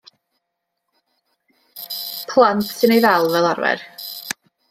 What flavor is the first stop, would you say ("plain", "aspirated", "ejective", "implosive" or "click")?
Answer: aspirated